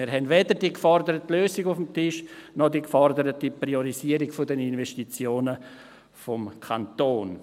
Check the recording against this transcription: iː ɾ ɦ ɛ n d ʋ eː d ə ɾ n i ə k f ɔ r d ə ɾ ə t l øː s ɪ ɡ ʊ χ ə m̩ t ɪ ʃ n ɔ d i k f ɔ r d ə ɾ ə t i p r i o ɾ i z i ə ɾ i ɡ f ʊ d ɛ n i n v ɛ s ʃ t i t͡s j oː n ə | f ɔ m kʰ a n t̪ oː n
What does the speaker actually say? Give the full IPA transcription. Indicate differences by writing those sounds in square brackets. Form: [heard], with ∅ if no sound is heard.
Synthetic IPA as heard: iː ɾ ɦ ɛ n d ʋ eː d ə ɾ [d] i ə k f ɔ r d ə ɾ ə t l øː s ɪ ɡ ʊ [f] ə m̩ t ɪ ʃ n ɔ d i k f ɔ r d ə ɾ ə t i p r i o ɾ i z i ə ɾ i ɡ f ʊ d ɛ n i n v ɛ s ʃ t i t͡s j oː n ə | f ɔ m kʰ a n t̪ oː n

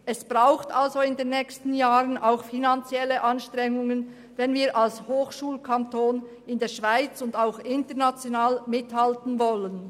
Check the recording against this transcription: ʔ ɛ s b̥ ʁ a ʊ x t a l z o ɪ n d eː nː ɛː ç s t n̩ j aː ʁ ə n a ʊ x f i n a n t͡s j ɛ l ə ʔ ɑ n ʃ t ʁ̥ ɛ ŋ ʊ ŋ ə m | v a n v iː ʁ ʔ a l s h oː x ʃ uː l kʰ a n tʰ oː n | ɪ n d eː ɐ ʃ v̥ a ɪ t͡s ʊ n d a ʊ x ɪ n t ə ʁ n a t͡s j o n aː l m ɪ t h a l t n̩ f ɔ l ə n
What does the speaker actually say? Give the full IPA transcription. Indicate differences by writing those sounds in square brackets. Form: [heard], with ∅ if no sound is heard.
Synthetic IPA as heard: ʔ ɛ s b̥ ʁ a ʊ x t a l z o ɪ n d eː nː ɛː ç s t n̩ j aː ʁ ə n a ʊ x f i n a n t͡s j ɛ l ə ʔ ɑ n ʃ t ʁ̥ ɛ ŋ ʊ ŋ ə [n] | v [ɛ] n v iː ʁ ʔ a l s h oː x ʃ uː l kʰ a n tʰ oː n | ɪ n d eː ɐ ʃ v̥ a ɪ t͡s ʊ n d a ʊ x ɪ n t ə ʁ n a t͡s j o n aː l m ɪ t h a l t n̩ [v] ɔ l ə n

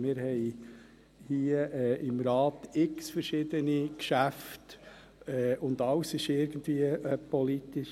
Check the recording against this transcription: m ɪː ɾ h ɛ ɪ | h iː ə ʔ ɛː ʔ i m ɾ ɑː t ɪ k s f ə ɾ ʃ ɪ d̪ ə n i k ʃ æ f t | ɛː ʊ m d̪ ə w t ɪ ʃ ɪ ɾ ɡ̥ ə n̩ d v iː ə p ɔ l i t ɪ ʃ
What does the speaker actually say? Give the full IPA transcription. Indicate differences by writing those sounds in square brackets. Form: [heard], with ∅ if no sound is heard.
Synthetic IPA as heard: m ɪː ɾ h ɛ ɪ | h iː ə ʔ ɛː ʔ [ɪ] m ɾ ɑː t ɪ k s f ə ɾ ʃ ɪ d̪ ə n i k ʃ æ f t | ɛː ʊ [n] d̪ [ɑ] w [s] ɪ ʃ ɪ ɾ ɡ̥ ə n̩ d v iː ə p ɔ l i t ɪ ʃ

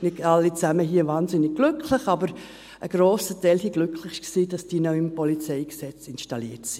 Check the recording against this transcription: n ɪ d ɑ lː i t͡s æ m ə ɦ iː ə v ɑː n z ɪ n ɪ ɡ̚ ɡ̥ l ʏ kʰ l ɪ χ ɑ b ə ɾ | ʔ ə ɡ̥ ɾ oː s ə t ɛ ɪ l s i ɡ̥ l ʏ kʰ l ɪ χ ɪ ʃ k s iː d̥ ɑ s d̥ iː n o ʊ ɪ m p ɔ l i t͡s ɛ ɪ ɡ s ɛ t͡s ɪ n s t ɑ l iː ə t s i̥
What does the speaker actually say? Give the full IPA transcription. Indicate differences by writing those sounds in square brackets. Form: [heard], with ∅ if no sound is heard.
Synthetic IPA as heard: n ɪ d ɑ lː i t͡s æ m ə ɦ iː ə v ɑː n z ɪ n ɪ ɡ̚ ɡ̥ l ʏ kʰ l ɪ χ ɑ b ə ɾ | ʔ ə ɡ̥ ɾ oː s ə t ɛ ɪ l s i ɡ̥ l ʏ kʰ l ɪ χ ɪ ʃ k s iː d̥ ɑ s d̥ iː n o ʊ ɪ m p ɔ l i t͡s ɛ ɪ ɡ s ɛ t͡s ɪ n [ʃ] t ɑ l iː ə t s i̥

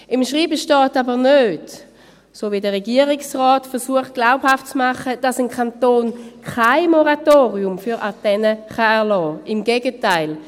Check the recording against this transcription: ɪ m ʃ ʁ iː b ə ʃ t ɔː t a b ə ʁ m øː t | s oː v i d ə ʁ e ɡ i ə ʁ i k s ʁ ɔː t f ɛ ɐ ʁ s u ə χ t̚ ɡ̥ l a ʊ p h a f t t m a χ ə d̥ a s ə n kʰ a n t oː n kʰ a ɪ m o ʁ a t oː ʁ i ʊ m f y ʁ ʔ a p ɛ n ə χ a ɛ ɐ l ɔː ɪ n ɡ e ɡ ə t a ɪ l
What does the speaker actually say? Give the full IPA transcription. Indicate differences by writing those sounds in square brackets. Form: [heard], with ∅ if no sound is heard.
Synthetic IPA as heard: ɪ m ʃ ʁ iː b ə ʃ t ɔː t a b ə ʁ [n] øː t | s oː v i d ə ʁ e ɡ i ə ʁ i k s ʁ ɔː t f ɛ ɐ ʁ s u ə χ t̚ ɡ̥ l a ʊ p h a f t [t͡s] m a χ ə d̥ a s ə n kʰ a n t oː n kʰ a ɪ m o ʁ a t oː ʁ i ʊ m f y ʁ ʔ a [t] ɛ n ə χ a ɛ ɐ l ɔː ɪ [m] ɡ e ɡ ə t a ɪ l

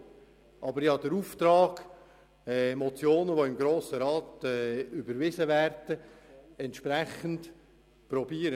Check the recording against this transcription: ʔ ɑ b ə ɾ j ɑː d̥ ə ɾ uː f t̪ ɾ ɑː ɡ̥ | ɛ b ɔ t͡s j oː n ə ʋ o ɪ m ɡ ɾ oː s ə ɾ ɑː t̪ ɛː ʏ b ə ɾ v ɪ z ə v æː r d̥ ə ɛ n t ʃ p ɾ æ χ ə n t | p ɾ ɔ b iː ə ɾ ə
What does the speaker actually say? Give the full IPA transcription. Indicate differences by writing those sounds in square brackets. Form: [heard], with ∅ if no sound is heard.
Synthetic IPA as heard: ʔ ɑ b ə ɾ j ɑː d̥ ə ɾ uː f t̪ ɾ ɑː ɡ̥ | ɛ [m] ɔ t͡s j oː n ə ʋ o ɪ m ɡ ɾ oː s ə ɾ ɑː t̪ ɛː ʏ b ə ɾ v ɪ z ə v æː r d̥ ə ɛ n t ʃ p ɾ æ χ ə n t | p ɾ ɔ b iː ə ɾ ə

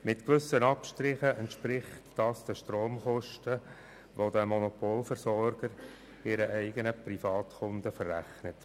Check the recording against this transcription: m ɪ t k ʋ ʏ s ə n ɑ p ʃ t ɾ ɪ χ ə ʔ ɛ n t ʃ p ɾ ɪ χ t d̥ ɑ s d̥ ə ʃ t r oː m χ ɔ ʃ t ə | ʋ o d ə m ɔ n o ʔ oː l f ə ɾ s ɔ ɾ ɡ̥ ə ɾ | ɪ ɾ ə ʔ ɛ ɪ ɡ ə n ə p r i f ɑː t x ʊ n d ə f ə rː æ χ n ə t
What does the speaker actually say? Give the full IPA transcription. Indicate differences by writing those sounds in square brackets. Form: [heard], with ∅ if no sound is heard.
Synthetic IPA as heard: m ɪ t k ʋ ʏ s ə n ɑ p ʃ t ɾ ɪ χ ə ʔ ɛ n t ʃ p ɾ ɪ χ t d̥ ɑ s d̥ ə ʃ t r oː m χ ɔ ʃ t ə | ʋ o d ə m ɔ n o [p] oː l f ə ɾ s ɔ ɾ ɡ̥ ə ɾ | ɪ ɾ ə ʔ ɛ ɪ ɡ ə n ə p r i f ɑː t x ʊ n d ə f ə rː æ χ n ə t

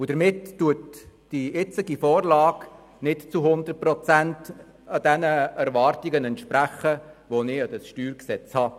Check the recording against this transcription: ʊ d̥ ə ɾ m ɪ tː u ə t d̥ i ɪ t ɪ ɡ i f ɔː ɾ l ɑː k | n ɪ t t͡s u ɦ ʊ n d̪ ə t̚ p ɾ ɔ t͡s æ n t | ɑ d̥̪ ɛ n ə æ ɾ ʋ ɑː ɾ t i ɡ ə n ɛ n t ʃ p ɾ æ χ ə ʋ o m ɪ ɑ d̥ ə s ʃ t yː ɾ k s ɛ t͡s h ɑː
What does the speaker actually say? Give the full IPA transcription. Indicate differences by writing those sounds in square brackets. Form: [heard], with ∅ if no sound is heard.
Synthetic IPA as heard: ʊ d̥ ə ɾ m ɪ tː u ə t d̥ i ɪ [t͡s] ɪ ɡ i f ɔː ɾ l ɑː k | n ɪ t t͡s u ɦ ʊ n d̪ ə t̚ p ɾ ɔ t͡s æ n t | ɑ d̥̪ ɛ n ə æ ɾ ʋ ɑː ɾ t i ɡ ə n ɛ n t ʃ p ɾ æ χ ə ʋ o [n] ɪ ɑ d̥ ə s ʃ t yː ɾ k s ɛ t͡s h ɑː

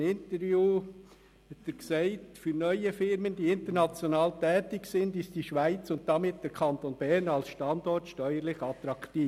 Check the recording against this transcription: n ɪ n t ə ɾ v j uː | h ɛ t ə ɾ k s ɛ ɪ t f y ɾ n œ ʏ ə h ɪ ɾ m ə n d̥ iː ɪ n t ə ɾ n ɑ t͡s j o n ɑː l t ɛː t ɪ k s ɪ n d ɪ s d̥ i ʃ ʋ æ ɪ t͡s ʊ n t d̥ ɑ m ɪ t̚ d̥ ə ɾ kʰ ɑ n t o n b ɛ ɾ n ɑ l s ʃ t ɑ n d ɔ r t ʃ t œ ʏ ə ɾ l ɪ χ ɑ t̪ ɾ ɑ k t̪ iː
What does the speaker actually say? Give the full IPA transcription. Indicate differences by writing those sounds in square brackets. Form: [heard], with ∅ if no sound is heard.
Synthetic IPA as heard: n ɪ n t ə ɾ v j uː | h ɛ t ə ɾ k s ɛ ɪ t f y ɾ n œ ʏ ə [f] ɪ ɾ m ə n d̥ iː ɪ n t ə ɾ n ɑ t͡s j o n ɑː l t ɛː t ɪ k s ɪ n d ɪ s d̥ i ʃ ʋ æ ɪ t͡s ʊ n t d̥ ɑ m ɪ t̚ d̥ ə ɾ kʰ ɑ n t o n b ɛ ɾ n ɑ l s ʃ t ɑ n d ɔ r t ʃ t œ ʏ ə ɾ l ɪ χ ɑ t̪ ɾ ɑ k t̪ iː

